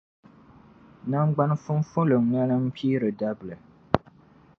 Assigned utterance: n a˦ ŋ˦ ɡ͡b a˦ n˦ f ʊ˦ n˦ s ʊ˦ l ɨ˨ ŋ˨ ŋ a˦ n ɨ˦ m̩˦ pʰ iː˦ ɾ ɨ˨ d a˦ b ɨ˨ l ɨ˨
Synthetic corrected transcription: n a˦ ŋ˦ ɡ͡b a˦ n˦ f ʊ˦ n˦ f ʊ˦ l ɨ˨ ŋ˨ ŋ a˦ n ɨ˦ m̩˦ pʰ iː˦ ɾ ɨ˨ d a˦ b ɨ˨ l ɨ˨